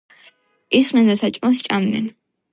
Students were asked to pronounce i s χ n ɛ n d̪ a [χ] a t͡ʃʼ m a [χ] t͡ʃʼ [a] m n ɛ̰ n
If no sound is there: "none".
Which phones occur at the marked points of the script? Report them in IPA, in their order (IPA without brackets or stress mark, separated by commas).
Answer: s, s, a